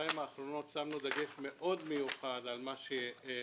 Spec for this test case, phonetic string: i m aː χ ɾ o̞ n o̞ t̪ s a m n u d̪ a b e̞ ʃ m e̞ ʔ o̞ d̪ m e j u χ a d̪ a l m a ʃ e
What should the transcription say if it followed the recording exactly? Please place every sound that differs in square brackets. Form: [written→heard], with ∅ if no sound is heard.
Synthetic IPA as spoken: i m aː χ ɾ o̞ n o̞ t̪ s a m n u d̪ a [b→ɡ] e̞ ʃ m e̞ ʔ o̞ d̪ m e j u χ a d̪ a l m a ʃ e